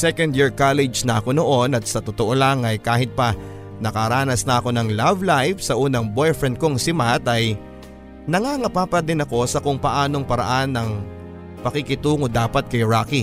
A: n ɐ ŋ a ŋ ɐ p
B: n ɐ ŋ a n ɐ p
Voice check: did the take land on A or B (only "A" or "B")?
A